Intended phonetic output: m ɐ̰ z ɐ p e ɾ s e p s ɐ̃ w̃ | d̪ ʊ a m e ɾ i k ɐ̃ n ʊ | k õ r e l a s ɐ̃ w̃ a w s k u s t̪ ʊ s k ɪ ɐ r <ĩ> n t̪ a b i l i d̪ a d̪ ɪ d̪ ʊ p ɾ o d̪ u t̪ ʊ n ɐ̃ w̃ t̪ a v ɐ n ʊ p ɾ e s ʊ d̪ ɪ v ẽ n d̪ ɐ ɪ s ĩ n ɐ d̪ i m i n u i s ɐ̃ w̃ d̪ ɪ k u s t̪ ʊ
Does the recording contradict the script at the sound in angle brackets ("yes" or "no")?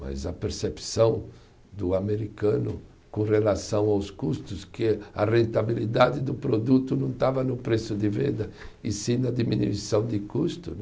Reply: yes